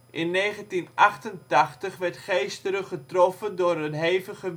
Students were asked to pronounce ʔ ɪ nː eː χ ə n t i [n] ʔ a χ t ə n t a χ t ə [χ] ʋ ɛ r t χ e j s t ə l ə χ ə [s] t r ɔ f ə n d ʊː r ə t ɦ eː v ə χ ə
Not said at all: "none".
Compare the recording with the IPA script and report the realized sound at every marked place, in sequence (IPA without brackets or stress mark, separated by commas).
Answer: n, χ, none